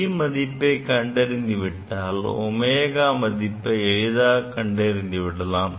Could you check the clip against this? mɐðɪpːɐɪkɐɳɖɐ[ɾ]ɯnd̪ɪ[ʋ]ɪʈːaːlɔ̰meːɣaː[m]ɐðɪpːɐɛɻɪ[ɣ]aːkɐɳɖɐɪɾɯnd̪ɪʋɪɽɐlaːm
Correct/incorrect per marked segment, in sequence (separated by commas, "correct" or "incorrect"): correct, correct, correct, incorrect